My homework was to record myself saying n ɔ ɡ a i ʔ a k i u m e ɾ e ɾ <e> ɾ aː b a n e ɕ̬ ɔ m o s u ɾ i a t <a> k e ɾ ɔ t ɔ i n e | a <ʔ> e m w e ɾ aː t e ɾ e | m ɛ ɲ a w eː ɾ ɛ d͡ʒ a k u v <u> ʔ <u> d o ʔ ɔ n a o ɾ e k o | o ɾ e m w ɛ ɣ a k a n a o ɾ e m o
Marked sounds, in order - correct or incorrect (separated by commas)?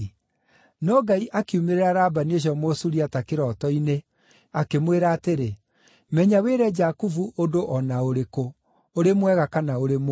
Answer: incorrect, correct, incorrect, correct, incorrect